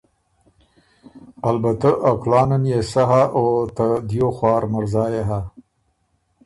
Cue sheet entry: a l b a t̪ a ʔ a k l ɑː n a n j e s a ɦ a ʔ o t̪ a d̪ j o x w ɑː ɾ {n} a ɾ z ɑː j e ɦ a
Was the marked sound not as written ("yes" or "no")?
yes